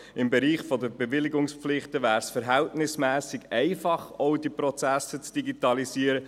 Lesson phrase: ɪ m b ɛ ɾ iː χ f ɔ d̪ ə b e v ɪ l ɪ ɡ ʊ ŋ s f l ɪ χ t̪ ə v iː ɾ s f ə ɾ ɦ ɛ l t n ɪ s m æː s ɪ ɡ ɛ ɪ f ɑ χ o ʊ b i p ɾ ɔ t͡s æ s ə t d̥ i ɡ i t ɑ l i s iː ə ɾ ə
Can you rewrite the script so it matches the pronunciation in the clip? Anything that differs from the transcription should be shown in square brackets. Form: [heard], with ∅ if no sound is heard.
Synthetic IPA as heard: ɪ m b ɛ ɾ iː χ f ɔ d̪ ə b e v ɪ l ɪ ɡ ʊ ŋ s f l ɪ χ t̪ ə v [æː] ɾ s f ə ɾ ɦ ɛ l t n ɪ s m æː s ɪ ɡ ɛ ɪ f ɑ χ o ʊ [d] i p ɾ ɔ t͡s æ s ə [t͡s] d̥ i ɡ i t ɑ l i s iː ə ɾ ə